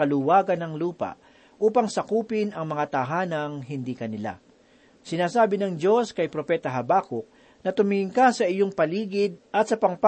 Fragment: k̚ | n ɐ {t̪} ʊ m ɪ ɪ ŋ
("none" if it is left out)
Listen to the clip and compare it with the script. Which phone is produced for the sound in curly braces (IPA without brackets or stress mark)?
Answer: t̪